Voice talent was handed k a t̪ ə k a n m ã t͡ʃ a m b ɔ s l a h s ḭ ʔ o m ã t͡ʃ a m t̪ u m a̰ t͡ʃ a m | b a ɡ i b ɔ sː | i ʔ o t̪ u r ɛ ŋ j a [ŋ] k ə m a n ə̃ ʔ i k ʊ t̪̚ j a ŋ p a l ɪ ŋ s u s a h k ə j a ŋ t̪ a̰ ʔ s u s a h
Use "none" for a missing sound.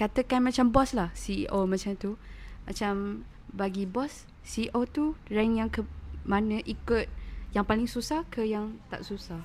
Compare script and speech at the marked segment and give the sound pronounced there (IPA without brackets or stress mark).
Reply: ŋ